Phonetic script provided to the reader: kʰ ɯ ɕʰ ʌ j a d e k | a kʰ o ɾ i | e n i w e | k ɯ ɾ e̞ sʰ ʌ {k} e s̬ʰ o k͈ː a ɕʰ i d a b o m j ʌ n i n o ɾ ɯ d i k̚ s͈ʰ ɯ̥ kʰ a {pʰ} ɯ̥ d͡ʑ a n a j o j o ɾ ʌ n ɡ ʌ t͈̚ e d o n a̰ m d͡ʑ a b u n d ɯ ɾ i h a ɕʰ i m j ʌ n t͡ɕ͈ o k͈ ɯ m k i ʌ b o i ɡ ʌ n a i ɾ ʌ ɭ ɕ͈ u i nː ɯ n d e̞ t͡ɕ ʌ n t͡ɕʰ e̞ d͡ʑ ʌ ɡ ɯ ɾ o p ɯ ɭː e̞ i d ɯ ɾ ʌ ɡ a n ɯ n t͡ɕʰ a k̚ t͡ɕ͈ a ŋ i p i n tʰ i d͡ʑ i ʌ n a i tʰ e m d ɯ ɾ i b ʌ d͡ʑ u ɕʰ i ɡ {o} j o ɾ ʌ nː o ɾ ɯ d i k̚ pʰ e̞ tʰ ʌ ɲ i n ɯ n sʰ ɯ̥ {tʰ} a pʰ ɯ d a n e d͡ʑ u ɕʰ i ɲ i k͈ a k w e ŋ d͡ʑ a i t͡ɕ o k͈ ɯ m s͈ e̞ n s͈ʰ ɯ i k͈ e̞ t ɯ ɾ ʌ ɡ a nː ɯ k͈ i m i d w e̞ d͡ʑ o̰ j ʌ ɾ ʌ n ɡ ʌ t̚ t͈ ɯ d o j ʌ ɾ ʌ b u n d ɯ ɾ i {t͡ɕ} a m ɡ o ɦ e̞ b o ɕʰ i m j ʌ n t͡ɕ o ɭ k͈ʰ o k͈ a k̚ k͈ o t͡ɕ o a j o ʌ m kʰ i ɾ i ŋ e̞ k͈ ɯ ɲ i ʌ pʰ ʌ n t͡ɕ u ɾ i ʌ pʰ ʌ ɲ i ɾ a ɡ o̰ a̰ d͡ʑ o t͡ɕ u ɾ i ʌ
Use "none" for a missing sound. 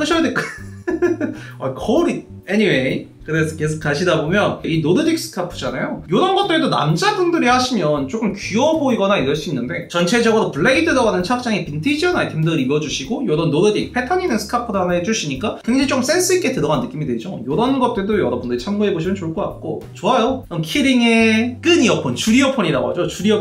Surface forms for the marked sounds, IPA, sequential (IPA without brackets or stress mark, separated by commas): k, pʰ, o, kʰ, t͡ɕʰ